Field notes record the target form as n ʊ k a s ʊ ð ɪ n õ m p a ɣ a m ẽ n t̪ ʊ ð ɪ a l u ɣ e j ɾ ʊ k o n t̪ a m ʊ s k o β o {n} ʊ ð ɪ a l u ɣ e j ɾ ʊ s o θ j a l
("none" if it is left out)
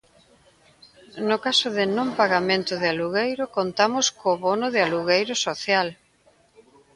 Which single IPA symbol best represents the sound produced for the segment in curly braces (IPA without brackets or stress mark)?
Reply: n